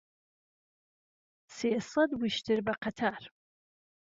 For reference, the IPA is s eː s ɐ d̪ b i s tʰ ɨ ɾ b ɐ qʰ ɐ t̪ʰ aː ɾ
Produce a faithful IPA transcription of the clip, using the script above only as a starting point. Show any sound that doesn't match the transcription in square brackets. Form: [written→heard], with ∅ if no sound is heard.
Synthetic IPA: s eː s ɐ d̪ [b→w] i [s→ʃ] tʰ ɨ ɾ b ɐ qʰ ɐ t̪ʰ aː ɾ